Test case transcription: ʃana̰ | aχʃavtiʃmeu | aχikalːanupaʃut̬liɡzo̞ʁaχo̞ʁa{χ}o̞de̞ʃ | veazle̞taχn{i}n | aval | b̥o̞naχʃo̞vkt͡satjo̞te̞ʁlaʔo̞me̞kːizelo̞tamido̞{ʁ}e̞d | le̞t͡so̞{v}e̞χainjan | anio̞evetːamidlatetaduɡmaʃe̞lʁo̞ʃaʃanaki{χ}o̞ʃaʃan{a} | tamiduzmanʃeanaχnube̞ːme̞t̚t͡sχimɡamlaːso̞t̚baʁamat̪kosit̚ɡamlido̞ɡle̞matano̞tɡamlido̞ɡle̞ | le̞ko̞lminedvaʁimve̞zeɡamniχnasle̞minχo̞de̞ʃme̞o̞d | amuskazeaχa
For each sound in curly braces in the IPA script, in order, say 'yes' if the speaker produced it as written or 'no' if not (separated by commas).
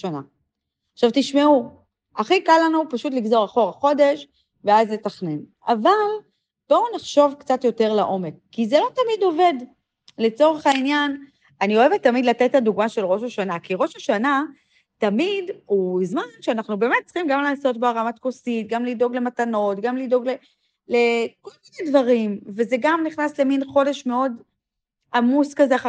yes, no, no, no, no, yes